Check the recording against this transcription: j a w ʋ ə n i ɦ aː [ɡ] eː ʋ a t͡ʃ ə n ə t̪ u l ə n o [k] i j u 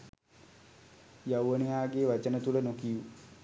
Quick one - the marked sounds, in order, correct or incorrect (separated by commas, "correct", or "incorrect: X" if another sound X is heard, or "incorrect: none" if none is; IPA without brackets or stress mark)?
correct, correct